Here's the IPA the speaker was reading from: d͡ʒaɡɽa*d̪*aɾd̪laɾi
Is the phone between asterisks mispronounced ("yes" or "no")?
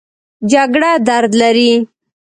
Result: no